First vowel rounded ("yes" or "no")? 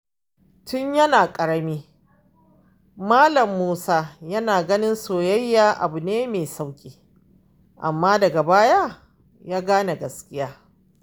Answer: yes